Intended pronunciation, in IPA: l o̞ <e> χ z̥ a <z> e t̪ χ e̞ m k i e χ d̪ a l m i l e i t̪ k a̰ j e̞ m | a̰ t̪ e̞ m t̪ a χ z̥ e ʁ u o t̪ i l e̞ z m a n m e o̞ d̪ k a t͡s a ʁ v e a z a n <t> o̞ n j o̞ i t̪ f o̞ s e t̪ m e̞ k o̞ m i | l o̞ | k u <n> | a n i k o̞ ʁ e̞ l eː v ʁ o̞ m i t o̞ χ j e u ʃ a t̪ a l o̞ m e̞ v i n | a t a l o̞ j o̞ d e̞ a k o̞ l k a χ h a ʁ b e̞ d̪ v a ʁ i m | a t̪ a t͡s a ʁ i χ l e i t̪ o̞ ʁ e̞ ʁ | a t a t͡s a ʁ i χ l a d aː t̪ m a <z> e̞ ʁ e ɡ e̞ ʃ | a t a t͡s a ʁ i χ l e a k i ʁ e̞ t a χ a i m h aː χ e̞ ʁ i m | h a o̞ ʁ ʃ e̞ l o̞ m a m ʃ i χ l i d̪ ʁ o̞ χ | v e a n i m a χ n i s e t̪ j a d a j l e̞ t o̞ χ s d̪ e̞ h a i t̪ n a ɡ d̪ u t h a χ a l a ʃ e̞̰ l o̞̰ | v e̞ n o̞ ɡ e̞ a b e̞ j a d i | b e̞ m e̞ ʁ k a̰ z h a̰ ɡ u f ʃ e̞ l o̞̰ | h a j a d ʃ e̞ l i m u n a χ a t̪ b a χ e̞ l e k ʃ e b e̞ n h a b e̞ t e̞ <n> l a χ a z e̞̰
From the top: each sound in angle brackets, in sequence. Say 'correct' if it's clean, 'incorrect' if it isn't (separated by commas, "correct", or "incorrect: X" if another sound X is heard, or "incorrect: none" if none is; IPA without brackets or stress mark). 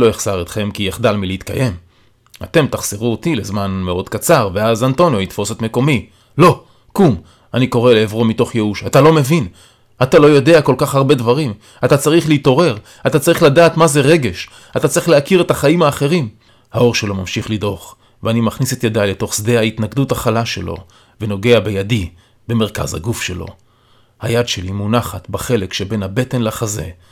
correct, incorrect: ʁ, correct, incorrect: m, correct, correct